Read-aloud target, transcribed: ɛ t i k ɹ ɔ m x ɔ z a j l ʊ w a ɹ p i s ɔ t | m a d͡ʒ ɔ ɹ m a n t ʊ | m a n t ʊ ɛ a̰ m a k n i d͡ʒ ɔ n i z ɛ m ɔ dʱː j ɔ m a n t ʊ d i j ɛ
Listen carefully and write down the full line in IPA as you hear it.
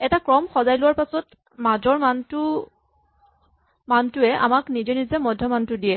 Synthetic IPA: ɛ t a k ɹ ɔ m x ɔ z a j l ʊ w a ɹ p a s ɔ t | m a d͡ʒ ɔ ɹ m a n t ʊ | m a n t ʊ ɛ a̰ m a k n i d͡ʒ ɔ n i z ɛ m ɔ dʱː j ɔ m a n t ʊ d i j ɛ